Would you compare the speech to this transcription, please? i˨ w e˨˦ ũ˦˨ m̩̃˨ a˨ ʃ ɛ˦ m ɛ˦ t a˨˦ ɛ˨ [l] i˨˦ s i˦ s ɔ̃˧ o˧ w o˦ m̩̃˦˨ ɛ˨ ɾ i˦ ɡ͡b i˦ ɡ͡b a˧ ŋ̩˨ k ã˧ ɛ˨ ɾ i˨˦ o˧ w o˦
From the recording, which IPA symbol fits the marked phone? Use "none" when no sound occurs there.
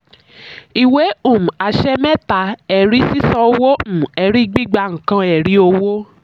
ɾ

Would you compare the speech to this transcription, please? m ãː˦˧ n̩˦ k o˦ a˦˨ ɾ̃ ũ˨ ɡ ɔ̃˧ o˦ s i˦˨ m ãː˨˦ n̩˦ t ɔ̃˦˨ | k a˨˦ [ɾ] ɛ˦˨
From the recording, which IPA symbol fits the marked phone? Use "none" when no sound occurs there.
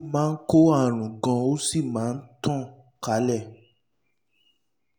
l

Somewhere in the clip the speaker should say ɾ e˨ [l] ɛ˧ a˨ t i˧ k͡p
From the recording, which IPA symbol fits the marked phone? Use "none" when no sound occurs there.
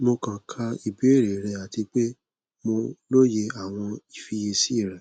ɾ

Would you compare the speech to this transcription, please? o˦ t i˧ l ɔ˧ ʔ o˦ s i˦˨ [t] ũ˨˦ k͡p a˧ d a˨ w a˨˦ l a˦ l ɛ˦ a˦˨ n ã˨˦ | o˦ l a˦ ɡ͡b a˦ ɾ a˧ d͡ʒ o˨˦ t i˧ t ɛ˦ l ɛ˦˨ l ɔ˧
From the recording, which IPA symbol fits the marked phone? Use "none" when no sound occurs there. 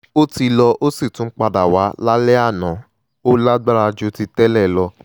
t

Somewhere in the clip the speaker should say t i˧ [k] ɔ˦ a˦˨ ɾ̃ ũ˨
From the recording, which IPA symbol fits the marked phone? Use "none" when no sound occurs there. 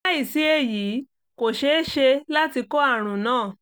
k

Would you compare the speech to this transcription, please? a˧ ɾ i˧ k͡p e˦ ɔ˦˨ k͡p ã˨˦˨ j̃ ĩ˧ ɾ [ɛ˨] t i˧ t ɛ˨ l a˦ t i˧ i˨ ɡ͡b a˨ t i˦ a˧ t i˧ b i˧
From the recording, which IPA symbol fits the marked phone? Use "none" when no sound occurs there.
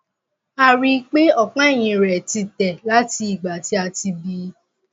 ɛ˨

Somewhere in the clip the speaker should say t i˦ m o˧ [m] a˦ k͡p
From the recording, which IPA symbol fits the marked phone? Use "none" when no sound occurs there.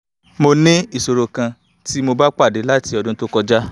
b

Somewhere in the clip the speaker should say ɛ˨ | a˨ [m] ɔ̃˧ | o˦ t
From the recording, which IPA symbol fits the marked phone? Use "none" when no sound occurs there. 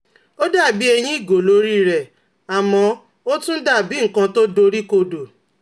m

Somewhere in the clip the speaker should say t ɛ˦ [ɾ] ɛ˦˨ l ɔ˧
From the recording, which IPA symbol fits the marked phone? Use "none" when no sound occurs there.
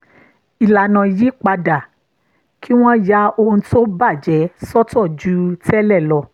l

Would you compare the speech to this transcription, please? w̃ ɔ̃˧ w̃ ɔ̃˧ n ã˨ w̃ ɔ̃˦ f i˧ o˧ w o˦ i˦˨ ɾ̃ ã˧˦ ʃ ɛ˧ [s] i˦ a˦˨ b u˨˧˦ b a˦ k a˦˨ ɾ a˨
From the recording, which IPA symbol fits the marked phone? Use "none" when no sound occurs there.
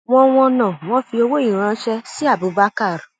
s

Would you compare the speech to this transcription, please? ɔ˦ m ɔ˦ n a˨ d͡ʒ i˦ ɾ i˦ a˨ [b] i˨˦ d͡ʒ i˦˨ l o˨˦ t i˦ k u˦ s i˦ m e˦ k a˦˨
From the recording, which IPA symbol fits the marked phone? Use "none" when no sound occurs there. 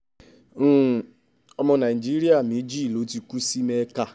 m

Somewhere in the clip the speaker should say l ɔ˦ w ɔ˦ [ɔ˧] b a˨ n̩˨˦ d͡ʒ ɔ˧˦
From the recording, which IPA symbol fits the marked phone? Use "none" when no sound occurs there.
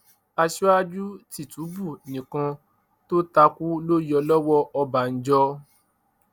ɔ˧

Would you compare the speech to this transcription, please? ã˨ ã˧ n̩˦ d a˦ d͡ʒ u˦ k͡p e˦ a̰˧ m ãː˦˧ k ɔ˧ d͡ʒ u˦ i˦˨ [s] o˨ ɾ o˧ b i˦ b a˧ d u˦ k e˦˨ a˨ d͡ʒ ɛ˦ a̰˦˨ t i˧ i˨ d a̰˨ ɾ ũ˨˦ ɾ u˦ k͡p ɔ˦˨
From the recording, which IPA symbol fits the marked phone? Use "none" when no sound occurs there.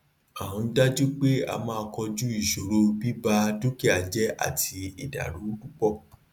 ʃ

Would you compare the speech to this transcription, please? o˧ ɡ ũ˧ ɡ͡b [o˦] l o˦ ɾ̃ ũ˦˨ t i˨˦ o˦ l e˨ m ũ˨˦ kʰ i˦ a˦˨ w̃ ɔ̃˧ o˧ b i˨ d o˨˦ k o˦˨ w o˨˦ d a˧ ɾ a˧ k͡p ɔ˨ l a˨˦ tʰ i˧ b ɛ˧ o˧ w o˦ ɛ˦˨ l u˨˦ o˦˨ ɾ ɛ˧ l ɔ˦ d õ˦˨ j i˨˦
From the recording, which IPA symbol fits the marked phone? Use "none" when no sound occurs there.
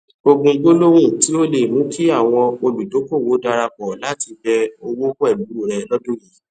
o˦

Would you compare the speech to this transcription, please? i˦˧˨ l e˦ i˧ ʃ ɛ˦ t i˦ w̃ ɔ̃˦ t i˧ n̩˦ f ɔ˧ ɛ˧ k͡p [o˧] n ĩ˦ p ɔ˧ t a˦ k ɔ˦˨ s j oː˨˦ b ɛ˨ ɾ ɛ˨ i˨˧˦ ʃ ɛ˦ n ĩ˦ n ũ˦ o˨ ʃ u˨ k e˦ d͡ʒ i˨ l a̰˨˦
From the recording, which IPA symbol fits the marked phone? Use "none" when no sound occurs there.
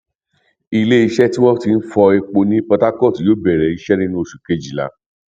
o˧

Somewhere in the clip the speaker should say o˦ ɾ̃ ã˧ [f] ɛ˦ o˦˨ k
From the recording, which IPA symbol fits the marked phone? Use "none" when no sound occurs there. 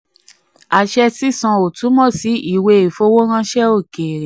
ʃ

